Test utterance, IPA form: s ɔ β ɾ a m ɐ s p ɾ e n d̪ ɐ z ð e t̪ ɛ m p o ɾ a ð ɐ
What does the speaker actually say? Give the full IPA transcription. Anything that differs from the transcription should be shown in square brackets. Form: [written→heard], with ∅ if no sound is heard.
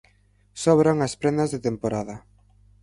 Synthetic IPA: s ɔ β ɾ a [m→ŋ] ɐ s p ɾ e n d̪ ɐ z ð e t̪ [ɛ→e] m p o ɾ a ð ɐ